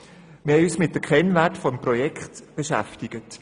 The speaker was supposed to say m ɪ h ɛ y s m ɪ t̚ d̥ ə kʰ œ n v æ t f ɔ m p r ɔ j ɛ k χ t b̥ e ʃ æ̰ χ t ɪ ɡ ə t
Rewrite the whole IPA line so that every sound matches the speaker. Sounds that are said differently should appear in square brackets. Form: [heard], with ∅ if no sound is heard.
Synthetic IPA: m ɪ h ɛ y s m ɪ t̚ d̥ ə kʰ [ɛ] n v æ t f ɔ m p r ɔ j ɛ k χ t b̥ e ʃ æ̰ [f] t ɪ ɡ ə t